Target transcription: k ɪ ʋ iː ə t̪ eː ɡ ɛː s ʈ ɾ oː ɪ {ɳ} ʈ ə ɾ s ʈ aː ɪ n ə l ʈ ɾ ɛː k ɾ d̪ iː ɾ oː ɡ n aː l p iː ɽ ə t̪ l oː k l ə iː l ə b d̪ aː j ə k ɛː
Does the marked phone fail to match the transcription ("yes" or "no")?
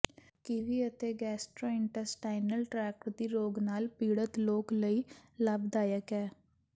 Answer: no